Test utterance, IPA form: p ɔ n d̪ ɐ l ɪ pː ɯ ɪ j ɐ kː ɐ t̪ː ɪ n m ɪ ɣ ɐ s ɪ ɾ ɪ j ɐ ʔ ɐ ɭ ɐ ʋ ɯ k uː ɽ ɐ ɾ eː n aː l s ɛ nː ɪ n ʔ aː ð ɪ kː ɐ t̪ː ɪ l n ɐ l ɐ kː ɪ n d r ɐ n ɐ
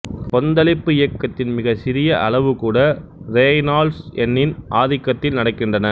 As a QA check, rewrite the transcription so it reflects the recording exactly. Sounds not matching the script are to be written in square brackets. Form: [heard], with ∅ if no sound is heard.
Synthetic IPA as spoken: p ɔ n d̪ ɐ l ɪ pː ɯ ɪ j ɐ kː ɐ t̪ː ɪ n m ɪ ɣ ɐ s ɪ ɾ ɪ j ɐ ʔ ɐ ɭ ɐ ʋ ɯ k uː ɽ ɐ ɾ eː n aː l s ɛ nː ɪ n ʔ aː ð ɪ kː ɐ t̪ː ɪ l n ɐ [ɽ] ɐ kː ɪ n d r ɐ n ɐ